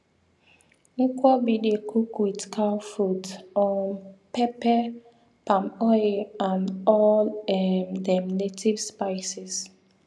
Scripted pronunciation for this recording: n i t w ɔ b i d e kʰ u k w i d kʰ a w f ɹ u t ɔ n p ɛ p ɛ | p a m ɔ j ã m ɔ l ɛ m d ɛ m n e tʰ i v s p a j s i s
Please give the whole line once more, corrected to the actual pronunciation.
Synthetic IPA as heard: n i k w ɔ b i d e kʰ u k w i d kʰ a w f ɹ u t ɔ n p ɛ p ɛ | p a m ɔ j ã n ɔ l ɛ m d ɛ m n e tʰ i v s p a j s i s